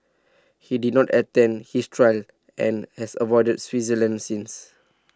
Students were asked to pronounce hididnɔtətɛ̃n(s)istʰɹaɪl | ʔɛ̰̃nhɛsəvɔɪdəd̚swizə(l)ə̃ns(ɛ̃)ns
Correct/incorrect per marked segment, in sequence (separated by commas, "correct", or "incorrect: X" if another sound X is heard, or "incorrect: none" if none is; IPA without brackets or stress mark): incorrect: h, correct, incorrect: ĩ